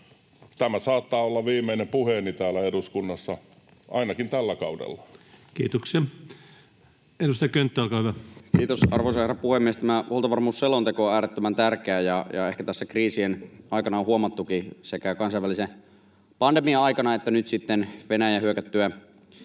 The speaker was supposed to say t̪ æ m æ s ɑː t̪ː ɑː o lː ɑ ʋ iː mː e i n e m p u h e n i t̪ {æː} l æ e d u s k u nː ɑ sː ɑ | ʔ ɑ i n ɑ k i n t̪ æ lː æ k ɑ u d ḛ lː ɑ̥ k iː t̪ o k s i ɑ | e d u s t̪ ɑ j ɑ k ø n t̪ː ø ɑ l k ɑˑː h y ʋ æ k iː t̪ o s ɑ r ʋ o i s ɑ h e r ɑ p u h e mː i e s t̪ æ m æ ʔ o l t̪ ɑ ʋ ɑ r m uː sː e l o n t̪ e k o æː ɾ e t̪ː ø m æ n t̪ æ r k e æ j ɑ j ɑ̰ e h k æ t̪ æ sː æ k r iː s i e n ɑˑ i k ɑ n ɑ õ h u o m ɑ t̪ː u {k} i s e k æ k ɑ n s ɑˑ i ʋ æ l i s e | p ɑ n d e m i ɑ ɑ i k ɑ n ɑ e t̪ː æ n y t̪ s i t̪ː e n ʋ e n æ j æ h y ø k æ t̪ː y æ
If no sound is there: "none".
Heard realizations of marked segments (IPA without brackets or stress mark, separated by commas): æː, k